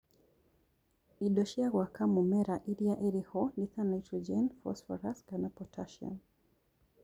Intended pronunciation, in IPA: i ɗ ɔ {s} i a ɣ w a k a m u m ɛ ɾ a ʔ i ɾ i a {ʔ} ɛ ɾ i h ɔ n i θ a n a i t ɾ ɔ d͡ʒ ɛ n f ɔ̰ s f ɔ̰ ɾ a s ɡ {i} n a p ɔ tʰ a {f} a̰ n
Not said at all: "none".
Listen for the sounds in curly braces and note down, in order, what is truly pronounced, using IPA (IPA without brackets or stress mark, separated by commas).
ʃ, ʔ, a, ʃ